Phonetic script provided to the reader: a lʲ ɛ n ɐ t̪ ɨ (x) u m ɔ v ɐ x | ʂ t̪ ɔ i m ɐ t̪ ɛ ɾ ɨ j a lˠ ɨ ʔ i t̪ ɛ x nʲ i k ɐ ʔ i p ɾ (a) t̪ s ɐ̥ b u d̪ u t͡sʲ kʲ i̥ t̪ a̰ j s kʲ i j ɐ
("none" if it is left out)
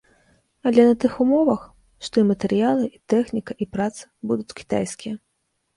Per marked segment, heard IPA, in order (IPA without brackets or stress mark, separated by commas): x, a